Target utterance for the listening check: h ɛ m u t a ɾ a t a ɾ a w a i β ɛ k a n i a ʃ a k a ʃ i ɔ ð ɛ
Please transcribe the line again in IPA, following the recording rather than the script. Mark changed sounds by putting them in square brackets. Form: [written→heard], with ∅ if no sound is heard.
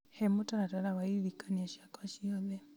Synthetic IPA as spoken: h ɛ m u t a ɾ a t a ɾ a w a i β [ɛ→i] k a n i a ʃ a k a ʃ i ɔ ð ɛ